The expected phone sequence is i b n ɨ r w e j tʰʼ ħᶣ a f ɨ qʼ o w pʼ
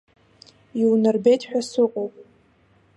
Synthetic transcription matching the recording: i w n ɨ r b e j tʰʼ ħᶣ a s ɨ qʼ o w pʼ